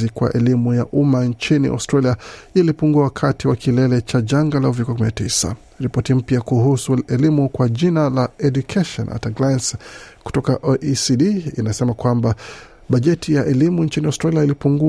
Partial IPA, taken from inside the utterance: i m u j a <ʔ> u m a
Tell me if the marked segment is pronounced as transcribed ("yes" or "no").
yes